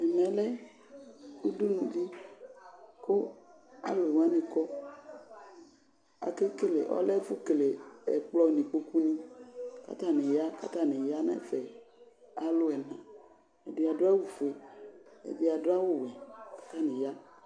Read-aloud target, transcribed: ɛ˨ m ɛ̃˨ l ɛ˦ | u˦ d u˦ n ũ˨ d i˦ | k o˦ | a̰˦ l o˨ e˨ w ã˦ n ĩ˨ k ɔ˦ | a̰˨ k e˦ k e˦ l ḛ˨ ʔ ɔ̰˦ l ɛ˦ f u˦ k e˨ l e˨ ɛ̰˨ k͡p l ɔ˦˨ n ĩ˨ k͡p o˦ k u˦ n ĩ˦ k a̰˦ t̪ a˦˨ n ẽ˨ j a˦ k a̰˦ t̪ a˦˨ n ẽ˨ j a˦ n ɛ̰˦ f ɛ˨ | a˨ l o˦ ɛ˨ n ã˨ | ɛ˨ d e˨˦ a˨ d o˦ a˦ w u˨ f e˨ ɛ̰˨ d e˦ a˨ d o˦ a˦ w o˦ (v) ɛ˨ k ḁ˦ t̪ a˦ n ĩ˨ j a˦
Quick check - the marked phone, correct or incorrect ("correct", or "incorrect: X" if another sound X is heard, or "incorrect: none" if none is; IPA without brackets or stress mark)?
incorrect: w